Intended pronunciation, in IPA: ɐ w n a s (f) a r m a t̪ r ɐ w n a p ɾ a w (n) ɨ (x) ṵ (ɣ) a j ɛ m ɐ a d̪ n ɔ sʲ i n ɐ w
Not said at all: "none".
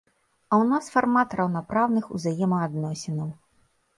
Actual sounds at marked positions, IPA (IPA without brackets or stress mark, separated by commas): f, n, x, z